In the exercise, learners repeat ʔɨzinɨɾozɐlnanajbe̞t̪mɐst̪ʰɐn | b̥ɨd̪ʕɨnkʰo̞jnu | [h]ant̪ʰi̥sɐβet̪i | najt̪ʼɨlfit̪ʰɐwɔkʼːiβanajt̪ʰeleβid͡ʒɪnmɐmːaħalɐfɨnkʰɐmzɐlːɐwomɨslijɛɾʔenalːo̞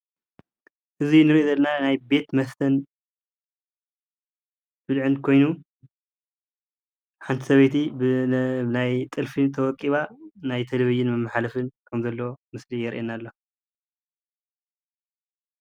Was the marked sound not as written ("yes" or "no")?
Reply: yes